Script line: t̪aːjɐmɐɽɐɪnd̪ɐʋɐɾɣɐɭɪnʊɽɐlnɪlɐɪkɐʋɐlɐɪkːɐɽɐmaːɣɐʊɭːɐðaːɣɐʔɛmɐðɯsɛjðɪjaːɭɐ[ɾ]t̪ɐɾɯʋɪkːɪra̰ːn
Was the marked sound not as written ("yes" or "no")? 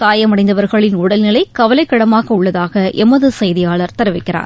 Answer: no